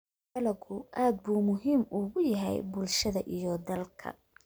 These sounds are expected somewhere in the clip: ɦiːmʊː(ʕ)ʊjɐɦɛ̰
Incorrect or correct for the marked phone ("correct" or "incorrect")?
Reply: incorrect